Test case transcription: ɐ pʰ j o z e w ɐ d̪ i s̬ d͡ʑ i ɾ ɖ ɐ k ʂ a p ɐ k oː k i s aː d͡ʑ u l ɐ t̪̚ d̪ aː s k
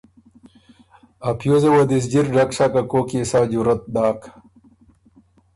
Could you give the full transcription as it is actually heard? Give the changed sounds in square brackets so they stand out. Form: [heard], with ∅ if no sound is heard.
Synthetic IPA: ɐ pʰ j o z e w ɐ d̪ i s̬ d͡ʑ i ɾ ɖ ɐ k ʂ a [k] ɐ k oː k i s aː d͡ʑ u [ɾ] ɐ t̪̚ d̪ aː [∅] k